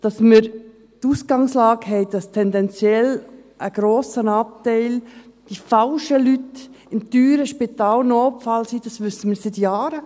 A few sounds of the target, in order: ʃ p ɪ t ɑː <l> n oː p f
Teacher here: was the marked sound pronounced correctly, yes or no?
yes